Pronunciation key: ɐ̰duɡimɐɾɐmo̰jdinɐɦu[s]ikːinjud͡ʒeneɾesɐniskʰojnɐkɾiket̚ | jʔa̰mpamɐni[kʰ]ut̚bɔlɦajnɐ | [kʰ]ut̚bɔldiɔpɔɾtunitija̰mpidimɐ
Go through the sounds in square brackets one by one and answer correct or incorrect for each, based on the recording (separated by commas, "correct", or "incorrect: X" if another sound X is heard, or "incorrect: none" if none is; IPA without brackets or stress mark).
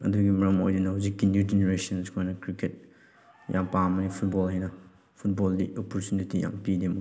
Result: incorrect: z, incorrect: pʰ, incorrect: pʰ